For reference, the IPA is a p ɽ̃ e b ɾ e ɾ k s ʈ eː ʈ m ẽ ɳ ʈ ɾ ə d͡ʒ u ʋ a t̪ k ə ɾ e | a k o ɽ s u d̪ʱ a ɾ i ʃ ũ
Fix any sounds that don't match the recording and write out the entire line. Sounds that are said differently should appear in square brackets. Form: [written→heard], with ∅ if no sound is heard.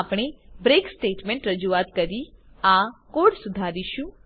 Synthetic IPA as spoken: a p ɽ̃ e b ɾ e [ɾ→∅] k s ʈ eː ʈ m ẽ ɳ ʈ ɾ ə d͡ʒ u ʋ a t̪ k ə ɾ [e→i] | a k o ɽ s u d̪ʱ a ɾ i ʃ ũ